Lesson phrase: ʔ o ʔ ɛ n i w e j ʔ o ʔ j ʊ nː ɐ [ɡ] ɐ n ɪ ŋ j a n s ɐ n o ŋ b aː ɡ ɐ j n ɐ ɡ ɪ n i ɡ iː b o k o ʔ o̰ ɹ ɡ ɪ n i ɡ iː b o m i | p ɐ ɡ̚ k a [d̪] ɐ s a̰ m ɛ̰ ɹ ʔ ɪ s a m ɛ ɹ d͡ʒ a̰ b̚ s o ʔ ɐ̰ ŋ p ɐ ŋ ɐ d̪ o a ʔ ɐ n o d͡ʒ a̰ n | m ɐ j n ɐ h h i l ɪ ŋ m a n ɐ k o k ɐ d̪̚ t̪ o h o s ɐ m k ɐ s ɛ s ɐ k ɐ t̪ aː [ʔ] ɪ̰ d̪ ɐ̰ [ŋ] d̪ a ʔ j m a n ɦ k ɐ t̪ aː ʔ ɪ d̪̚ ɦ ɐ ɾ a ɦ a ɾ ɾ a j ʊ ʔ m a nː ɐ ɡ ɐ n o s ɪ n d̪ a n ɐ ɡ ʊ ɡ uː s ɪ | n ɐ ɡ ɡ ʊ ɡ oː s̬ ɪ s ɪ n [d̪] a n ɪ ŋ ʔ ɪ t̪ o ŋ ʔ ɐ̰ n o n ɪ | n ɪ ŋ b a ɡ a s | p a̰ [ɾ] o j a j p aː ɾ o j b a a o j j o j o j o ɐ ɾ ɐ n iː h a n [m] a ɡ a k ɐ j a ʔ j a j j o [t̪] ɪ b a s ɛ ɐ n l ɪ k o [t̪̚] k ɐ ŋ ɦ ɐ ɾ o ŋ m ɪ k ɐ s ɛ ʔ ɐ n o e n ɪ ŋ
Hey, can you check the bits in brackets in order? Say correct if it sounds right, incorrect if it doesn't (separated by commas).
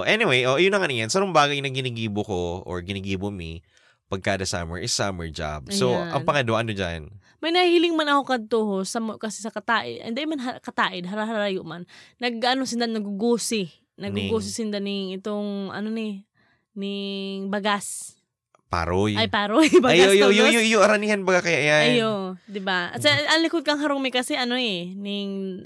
incorrect, correct, correct, incorrect, correct, correct, incorrect, incorrect, incorrect